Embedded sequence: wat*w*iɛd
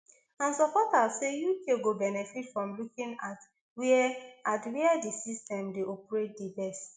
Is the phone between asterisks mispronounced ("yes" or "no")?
no